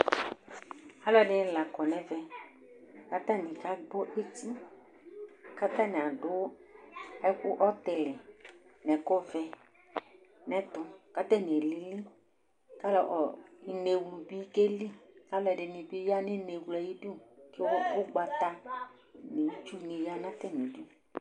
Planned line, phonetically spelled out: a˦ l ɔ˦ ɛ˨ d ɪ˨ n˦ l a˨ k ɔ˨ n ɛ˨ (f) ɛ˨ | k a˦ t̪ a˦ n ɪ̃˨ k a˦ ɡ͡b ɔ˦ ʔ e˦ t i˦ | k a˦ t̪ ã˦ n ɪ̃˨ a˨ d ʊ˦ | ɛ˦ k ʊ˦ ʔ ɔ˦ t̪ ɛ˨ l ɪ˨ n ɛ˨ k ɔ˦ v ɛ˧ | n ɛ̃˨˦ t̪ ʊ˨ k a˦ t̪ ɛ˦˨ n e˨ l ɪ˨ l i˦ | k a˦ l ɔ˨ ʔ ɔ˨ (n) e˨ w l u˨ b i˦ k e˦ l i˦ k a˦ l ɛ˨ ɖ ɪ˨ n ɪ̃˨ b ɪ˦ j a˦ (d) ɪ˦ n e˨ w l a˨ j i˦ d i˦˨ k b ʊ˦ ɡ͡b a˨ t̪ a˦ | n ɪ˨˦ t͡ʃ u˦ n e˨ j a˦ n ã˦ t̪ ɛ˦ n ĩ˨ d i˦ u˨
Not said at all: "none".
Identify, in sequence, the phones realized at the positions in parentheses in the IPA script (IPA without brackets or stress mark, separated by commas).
v, n, n